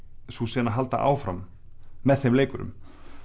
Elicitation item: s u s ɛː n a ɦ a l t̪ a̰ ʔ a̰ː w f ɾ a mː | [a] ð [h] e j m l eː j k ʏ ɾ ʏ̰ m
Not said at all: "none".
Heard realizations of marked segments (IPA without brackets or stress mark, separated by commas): ɛ, θ